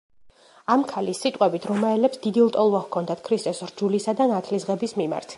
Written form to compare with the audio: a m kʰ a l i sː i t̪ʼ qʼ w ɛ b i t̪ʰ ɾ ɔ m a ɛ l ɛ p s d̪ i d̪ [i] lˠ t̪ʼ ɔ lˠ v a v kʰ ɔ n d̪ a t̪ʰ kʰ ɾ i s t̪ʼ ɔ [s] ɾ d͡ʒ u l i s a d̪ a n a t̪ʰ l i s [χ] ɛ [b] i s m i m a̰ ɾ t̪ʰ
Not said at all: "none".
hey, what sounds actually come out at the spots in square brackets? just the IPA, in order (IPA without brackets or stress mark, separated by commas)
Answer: i, s, ʁ, b